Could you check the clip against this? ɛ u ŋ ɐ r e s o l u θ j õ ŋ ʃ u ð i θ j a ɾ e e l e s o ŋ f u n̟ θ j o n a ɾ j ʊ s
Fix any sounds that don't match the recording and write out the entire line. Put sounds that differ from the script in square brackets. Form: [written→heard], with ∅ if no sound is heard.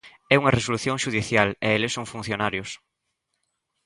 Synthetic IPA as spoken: ɛ u ŋ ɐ r e s o l u θ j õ ŋ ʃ u ð i θ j a [ɾ→l] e e l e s o ŋ f u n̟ θ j o n a ɾ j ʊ s